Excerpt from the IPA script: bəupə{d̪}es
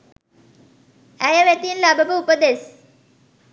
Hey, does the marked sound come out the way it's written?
yes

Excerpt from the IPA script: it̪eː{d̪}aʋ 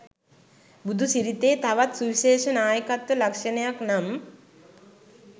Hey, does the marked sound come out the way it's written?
no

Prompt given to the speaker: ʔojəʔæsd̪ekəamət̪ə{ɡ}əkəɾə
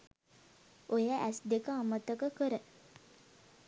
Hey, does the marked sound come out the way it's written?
no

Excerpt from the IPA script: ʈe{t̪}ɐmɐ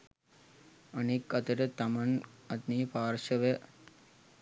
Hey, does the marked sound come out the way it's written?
yes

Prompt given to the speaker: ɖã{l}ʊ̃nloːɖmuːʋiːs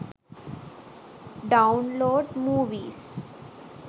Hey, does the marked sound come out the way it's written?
no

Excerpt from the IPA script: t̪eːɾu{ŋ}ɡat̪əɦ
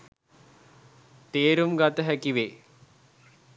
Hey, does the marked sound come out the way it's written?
no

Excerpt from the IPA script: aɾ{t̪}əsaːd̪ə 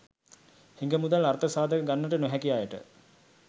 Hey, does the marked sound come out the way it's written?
yes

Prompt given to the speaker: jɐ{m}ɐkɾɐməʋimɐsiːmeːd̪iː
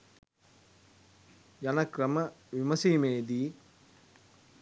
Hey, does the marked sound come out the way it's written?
no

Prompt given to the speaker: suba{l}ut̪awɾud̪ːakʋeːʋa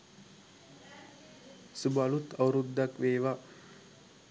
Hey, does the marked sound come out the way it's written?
yes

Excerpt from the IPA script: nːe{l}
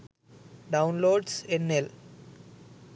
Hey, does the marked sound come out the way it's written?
yes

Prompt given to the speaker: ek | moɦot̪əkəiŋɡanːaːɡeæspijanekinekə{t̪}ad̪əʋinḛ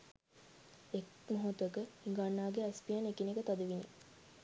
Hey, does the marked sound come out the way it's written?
yes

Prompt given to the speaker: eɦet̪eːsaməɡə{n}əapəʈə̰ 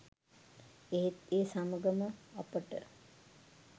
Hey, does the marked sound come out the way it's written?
no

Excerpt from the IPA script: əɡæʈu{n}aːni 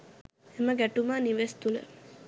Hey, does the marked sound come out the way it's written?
no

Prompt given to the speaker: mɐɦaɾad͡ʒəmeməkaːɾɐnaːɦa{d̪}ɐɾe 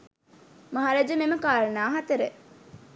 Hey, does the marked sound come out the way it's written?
no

